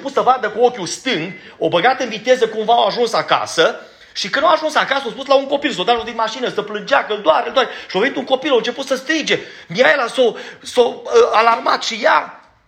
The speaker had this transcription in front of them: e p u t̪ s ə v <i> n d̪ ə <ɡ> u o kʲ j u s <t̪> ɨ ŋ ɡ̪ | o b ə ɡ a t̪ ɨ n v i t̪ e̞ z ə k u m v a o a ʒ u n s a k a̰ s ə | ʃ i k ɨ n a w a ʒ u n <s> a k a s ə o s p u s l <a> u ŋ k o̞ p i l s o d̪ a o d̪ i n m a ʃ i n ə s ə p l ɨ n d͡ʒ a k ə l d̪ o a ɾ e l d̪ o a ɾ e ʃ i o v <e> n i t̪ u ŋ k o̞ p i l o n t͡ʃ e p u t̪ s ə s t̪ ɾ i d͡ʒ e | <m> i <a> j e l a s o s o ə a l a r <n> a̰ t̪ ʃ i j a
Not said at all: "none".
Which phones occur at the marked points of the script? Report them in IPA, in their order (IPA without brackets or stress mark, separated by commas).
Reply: a, k, t̪, s, a, e, m, a, m